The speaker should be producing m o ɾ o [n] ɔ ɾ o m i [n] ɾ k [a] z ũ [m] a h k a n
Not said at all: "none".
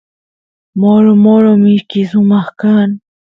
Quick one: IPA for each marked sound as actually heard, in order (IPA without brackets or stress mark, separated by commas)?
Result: m, none, i, m